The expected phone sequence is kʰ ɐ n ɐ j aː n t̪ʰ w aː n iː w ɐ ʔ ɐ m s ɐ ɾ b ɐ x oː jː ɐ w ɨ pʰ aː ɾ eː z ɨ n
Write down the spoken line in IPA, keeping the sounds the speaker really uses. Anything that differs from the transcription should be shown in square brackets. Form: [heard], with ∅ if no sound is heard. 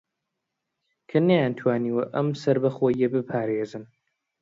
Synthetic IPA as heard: kʰ ɐ n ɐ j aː n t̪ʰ w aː n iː w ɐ ʔ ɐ m s ɐ ɾ b ɐ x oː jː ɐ [b] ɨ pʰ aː ɾ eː z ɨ n